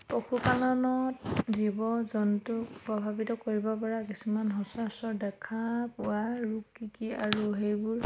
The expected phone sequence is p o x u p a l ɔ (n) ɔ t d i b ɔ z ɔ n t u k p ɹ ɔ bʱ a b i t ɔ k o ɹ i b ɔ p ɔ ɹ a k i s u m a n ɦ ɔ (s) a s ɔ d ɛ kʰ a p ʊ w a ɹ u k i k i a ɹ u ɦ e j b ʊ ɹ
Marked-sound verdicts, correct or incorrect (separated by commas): correct, correct